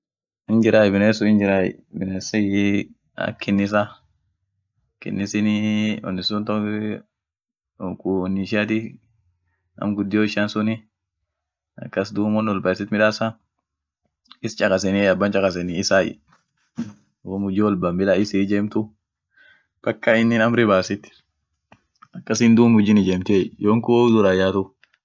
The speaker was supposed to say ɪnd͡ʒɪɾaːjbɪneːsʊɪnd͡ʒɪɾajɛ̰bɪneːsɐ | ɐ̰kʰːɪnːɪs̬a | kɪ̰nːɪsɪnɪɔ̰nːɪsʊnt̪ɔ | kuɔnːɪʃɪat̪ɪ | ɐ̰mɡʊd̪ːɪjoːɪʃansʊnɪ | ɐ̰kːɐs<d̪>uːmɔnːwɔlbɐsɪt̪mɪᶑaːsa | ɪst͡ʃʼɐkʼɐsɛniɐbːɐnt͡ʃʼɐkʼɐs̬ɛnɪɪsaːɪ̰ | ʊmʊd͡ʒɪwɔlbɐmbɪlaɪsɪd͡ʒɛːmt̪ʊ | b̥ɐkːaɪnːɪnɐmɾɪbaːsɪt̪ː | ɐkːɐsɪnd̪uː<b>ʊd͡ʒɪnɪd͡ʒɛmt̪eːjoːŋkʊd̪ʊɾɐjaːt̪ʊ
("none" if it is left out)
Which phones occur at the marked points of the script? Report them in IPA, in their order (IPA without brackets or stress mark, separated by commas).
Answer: d̪, m